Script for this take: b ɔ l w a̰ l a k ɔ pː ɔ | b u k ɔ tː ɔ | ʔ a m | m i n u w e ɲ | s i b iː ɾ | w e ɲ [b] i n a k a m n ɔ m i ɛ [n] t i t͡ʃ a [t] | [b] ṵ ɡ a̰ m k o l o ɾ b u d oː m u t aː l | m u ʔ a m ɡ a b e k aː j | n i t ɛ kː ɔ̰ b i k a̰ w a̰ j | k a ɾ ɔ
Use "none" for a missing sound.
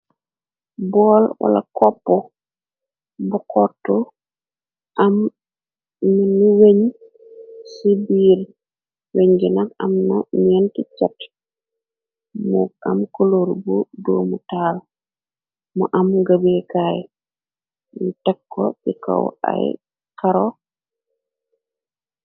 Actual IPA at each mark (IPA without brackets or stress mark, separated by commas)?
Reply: ɡ, n, t, m